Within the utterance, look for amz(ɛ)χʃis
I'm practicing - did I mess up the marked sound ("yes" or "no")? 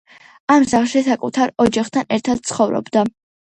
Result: yes